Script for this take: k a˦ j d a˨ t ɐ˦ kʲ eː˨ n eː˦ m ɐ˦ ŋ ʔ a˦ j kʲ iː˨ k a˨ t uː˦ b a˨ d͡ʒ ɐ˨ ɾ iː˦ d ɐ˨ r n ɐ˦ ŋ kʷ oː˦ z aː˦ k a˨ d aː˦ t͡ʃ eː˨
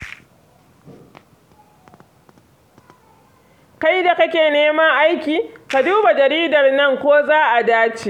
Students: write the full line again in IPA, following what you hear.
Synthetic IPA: k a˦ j d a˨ k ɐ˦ kʲ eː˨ n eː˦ m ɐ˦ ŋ ʔ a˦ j kʲ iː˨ k a˨ d uː˦ b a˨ d͡ʒ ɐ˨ ɾ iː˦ d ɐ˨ r n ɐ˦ ŋ kʷ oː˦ z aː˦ ʔ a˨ d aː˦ t͡ʃ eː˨